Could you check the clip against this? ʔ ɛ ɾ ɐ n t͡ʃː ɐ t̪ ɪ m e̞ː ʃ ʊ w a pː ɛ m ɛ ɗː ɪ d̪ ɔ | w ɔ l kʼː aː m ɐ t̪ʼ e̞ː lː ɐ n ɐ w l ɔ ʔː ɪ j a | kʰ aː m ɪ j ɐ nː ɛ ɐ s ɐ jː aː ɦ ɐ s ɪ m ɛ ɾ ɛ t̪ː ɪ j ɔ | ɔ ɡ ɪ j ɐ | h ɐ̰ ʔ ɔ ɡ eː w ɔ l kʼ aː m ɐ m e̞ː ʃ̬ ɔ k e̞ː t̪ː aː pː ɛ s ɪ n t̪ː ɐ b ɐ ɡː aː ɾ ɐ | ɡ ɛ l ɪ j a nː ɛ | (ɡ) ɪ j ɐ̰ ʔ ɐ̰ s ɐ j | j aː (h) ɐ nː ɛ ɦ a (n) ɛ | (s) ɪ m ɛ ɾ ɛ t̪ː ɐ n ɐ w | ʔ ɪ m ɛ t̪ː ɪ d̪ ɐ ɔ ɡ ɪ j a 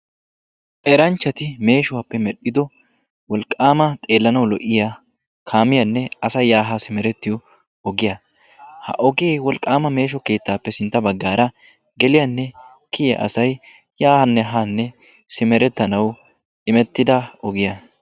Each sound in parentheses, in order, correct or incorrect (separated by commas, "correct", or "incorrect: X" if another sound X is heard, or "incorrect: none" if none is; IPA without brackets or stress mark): incorrect: k, correct, incorrect: nː, correct